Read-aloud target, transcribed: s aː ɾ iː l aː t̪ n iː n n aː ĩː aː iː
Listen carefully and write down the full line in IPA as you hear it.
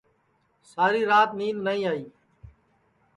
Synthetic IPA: s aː ɾ iː ɾ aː t̪ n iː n n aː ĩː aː iː